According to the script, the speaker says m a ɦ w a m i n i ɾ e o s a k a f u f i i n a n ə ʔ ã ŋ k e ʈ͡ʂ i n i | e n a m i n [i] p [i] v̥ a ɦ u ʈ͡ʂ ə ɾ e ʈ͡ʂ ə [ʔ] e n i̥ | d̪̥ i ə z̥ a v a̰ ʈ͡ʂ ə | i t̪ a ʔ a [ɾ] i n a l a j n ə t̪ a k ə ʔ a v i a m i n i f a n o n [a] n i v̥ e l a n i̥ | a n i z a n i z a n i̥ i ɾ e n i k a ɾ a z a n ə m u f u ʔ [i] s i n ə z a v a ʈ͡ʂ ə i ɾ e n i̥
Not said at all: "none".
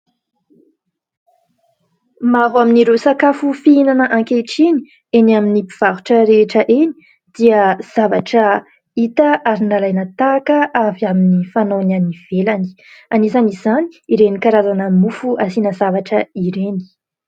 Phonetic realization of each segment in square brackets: i, i, ʔ, ɾ, a, a

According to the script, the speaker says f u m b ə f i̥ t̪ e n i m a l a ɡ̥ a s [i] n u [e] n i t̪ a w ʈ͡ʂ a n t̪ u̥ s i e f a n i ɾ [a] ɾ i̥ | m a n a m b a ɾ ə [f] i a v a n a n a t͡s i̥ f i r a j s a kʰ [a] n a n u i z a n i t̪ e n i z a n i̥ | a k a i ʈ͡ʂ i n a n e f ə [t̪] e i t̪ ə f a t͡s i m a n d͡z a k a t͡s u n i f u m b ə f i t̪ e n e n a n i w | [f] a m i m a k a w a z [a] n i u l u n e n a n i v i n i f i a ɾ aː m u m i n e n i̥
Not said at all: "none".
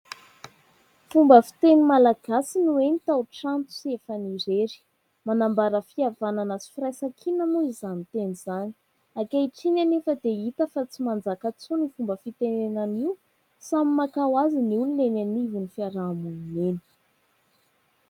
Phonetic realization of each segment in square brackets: i, e, e, f, i, d̪, s, i

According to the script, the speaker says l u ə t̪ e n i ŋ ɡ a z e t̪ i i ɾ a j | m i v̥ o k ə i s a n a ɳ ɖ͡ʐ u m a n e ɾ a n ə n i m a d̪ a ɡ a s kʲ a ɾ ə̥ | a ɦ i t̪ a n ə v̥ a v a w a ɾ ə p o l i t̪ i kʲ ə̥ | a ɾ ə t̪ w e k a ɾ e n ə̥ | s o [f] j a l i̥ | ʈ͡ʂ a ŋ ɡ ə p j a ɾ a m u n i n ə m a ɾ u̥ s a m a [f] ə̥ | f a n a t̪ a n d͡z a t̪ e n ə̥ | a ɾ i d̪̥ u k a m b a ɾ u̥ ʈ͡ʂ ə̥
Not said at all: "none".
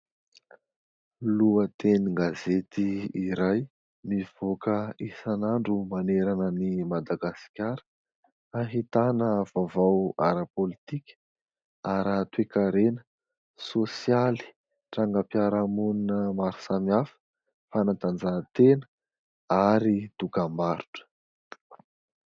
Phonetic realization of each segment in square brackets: s, f

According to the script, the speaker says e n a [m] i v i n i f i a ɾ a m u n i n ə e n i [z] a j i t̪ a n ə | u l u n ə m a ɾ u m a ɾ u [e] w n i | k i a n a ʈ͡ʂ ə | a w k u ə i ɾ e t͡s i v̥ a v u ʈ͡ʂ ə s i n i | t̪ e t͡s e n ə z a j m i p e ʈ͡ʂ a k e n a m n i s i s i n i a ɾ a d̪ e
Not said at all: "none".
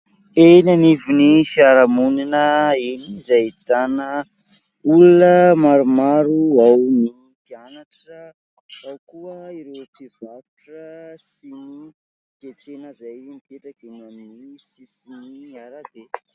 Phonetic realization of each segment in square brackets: n, z, a

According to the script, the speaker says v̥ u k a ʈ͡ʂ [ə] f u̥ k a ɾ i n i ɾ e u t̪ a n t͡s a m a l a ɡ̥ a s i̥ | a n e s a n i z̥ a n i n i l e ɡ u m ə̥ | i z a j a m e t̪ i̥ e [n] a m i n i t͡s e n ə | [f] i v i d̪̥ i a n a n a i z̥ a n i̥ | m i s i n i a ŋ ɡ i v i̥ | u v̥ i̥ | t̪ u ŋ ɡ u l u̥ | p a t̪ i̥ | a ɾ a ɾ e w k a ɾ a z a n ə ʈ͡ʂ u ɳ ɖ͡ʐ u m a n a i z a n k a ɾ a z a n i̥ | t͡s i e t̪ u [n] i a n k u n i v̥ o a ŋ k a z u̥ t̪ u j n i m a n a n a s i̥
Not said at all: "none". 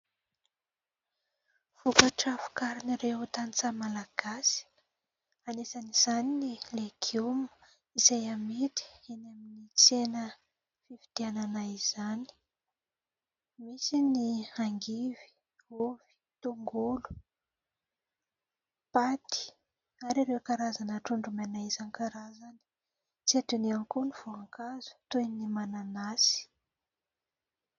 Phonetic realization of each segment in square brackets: a, n, f, n

